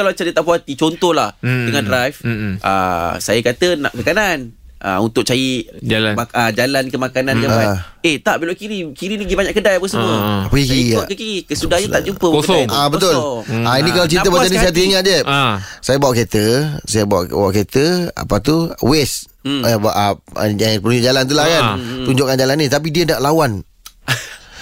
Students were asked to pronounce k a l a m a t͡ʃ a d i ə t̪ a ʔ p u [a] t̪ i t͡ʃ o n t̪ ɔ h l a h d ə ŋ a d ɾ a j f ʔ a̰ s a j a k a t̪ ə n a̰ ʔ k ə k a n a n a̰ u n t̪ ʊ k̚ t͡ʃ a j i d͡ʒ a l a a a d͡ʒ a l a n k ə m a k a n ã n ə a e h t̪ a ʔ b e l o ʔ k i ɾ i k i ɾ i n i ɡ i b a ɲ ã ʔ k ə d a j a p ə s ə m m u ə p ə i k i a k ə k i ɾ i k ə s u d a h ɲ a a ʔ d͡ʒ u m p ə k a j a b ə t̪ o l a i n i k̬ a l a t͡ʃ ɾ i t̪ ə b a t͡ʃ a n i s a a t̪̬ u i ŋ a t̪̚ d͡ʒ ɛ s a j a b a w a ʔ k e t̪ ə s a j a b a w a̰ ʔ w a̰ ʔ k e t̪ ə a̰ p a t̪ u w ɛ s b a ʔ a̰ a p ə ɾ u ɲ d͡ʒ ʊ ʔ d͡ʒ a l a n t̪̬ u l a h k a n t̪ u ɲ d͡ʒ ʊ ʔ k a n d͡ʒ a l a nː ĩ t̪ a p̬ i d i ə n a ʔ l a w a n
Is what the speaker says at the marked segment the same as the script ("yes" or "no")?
yes